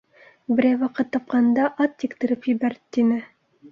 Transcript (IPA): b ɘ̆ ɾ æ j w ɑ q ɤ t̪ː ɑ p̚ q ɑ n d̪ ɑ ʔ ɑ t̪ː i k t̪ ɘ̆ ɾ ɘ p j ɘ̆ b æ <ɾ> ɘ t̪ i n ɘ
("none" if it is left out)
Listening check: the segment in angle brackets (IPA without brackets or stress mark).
ɾ